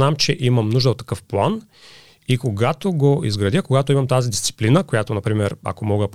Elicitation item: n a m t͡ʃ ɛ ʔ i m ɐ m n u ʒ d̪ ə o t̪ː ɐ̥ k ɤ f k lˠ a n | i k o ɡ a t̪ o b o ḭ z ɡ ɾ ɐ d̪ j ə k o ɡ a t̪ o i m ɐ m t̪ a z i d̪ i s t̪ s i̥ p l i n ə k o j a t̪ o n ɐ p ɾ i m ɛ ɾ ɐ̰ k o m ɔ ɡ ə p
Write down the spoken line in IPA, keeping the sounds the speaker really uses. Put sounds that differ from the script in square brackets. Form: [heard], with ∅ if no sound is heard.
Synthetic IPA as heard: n a m t͡ʃ ɛ ʔ i m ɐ m n u ʒ d̪ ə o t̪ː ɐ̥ k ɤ f [p] lˠ a n | i k o ɡ a t̪ o [ɡ] o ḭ z ɡ ɾ ɐ d̪ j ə k o ɡ a t̪ o i m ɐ m t̪ a z i d̪ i s t̪ s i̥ p l i n ə k o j a t̪ o n ɐ p ɾ i m ɛ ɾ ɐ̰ k o m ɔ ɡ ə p